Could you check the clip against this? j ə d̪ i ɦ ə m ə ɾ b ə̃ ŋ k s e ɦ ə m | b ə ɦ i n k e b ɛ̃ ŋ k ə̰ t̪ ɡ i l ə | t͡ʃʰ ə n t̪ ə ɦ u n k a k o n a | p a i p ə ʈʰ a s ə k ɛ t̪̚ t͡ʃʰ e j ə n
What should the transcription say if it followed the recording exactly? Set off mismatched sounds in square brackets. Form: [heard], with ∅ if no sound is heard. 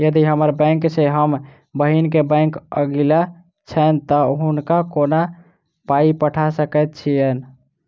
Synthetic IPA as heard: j ə d̪ i ɦ ə m ə ɾ b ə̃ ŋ k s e ɦ ə m | b ə ɦ i n k e b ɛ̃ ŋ k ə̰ [∅] ɡ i l [a] | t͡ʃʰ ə n t̪ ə ɦ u n k a k o n a | p a i p ə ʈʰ a s ə k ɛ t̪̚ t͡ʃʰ [i] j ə n